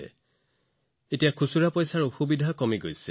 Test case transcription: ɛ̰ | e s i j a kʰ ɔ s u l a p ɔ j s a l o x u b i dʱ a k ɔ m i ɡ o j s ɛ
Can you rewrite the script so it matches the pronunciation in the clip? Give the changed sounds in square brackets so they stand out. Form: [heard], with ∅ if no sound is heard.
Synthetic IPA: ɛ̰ | e [t] i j a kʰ [u] s u [ɹ] a p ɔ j s a [ɹ] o x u b i dʱ a k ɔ m i ɡ o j s ɛ